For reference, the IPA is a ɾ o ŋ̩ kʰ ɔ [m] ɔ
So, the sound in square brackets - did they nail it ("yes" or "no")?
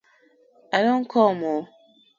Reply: yes